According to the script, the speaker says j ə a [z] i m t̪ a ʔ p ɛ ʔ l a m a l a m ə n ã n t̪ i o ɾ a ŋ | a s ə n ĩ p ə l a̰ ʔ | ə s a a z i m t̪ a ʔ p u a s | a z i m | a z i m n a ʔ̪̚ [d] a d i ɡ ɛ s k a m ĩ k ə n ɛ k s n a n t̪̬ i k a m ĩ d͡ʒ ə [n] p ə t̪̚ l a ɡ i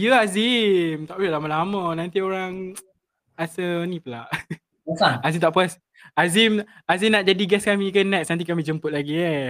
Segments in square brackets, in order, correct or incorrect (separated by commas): correct, incorrect, incorrect